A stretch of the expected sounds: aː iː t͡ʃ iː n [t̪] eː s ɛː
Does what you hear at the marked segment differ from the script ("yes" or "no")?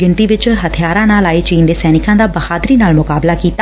yes